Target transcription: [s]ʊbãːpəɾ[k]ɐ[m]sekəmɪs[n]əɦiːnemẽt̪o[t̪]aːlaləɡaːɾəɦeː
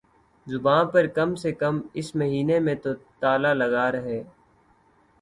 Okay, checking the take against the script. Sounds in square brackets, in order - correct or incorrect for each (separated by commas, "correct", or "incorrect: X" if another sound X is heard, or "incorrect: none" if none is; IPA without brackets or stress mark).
incorrect: z, correct, correct, incorrect: m, correct